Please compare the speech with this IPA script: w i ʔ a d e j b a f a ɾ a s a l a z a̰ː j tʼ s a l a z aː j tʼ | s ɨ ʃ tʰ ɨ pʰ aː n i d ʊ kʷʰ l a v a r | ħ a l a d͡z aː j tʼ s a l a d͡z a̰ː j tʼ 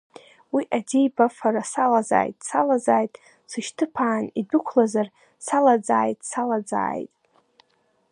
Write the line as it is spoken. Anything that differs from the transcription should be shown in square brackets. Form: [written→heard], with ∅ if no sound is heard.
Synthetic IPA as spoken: w i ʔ a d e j b a f a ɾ a s a l a z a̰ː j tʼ s a l a z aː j tʼ | s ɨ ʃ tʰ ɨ pʰ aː n i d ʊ kʷʰ l a [v→z] a r | [ħ→s] a l a d͡z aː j tʼ s a l a d͡z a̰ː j tʼ